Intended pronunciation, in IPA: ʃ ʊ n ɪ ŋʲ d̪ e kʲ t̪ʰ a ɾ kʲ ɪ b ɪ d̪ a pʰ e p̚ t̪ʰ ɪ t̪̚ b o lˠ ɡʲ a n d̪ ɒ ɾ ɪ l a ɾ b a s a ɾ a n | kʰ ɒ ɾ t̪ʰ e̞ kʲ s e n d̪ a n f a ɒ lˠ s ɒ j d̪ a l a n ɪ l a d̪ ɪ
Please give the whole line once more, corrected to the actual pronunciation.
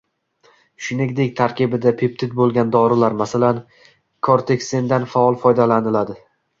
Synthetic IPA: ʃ ʊ n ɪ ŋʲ d̪ e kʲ t̪ʰ a ɾ kʲ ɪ b ɪ d̪ a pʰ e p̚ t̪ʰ ɪ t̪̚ b o lˠ ɡʲ a n d̪ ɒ ɾ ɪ l a ɾ m a s a l a n | kʰ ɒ ɾ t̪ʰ e̞ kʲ s e n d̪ a n f a ɒ lˠ f ɒ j d̪ a l a n ɪ l a d̪ ɪ